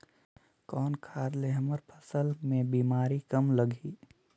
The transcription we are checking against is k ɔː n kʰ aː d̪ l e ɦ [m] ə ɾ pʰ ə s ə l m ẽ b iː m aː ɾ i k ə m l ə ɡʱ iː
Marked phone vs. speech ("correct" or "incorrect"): correct